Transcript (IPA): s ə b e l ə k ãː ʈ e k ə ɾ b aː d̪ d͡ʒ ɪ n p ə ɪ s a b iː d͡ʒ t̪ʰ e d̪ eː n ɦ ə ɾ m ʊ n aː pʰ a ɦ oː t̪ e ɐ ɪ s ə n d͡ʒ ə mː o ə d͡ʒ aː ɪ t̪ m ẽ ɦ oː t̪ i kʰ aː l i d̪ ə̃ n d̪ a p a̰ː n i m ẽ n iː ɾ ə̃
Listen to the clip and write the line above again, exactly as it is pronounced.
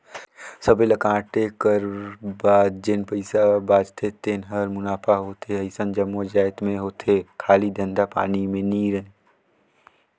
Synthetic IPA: s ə b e l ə k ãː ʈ e k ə ɾ b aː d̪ d͡ʒ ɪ n p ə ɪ s a b aː d͡ʒ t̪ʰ e t̪ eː n ɦ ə ɾ m ʊ n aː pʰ a ɦ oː t̪ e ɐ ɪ s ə n d͡ʒ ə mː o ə d͡ʒ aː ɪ t̪ m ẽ ɦ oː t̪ e kʰ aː l i d̪ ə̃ n d̪ a p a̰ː n i m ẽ n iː ɾ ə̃